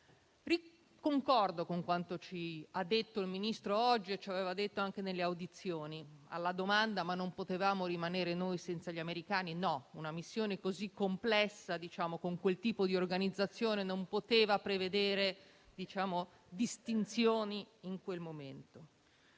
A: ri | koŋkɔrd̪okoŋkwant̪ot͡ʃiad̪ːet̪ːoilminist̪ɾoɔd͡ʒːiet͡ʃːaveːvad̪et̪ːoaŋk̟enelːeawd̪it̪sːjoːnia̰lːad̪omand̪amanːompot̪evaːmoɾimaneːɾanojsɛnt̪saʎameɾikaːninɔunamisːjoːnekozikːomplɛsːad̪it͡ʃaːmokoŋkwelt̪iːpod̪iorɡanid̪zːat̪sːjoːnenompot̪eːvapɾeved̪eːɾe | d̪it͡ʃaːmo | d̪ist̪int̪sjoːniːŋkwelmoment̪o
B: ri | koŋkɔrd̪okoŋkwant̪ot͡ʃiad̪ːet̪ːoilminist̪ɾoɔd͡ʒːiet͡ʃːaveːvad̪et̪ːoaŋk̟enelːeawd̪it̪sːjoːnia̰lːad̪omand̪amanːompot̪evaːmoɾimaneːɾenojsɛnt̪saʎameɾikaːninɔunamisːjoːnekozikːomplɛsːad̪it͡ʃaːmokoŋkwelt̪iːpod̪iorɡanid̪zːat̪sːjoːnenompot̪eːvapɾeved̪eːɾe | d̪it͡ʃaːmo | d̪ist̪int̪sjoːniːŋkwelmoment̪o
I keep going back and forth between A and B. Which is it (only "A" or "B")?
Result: B